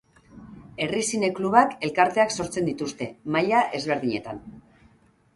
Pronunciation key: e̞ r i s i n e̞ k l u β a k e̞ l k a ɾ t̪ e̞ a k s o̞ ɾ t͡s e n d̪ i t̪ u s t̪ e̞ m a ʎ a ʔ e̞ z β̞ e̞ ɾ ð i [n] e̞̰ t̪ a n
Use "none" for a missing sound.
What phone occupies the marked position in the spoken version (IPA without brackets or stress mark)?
ɲ